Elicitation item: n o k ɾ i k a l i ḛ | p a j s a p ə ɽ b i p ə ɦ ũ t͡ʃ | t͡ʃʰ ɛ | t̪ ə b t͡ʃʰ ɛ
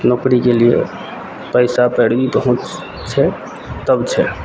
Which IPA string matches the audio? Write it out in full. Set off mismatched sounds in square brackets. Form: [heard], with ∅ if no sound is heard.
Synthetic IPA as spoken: n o k ɾ i k [e] l i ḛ | p [ə] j s a p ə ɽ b i p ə ɦ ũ t͡ʃ | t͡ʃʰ ɛ | t̪ ə b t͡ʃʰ ɛ